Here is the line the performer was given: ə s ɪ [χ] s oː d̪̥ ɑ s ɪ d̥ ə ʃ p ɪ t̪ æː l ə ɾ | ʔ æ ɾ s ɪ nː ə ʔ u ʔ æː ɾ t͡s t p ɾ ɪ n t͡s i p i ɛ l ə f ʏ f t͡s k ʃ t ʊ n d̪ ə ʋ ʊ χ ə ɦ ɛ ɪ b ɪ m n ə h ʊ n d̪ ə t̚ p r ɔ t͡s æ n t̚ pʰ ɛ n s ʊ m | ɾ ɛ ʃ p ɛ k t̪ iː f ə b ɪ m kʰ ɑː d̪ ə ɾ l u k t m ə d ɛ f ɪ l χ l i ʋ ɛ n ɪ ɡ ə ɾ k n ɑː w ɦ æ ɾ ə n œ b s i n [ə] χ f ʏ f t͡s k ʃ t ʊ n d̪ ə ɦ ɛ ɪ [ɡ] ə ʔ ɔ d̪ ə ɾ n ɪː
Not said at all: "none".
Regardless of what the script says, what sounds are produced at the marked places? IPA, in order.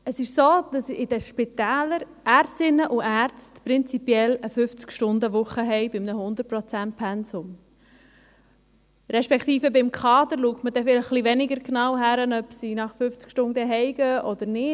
ʃ, ɑ, ɡ

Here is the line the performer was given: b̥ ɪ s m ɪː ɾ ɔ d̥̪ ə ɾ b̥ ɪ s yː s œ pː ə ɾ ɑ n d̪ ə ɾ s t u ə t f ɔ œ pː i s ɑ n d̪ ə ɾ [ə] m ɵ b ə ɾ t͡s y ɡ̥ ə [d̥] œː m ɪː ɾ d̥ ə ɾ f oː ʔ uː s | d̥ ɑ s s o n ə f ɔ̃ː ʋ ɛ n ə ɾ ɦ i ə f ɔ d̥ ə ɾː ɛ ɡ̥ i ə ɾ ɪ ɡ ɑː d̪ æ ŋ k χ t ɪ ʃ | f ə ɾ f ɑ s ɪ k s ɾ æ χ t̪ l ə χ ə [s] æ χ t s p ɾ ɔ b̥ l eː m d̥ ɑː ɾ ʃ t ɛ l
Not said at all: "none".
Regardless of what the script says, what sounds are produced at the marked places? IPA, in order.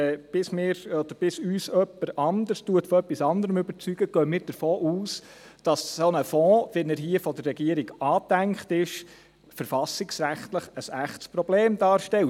ə, ɡ̥, s

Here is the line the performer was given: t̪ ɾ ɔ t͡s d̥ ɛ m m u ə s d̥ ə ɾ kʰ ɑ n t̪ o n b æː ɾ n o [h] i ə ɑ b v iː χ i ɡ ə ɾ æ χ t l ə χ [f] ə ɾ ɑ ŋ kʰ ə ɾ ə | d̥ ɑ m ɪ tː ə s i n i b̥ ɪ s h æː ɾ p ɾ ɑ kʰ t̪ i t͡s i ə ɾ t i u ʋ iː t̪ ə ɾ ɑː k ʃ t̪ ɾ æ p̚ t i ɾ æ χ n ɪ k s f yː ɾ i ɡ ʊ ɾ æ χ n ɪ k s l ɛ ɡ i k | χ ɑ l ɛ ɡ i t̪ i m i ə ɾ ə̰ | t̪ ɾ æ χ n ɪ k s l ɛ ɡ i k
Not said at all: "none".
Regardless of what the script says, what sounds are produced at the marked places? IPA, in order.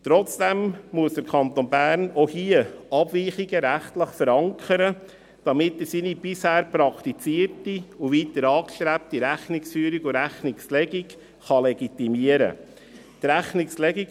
h, f

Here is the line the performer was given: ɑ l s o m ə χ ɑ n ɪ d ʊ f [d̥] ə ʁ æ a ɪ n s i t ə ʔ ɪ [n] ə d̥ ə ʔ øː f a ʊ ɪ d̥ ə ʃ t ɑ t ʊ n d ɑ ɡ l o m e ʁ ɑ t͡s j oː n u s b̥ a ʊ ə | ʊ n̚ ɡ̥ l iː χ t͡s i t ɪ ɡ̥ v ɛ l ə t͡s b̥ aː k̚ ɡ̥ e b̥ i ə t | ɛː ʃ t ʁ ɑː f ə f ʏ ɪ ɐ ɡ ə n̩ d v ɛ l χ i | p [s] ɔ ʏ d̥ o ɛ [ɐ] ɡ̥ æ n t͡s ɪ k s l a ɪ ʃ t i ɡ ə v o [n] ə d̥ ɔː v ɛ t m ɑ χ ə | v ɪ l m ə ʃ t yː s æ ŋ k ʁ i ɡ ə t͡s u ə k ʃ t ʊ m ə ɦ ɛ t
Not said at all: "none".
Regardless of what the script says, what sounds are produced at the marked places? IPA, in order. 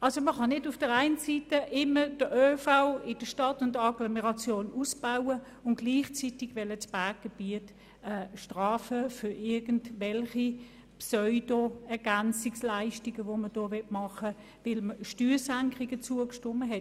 d̥, m, s, ɐ, m

